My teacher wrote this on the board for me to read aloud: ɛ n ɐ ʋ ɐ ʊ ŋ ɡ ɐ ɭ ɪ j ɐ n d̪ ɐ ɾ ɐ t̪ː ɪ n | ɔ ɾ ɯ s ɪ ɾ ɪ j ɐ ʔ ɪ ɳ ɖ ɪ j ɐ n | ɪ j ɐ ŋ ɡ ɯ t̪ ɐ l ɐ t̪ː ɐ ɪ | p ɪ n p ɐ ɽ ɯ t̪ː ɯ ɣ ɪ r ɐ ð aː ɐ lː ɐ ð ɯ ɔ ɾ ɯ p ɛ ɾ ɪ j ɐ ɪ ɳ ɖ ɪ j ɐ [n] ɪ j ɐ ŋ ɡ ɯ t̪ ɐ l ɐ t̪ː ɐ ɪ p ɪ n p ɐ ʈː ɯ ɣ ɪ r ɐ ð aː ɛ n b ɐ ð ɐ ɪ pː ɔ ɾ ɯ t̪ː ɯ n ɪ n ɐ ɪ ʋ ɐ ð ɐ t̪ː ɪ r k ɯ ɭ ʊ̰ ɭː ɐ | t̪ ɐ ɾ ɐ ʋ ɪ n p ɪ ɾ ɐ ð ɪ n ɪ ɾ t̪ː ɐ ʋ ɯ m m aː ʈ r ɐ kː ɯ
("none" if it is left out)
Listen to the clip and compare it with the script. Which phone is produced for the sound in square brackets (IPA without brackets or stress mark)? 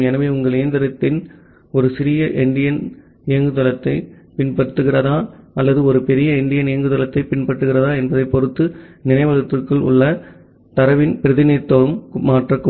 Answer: n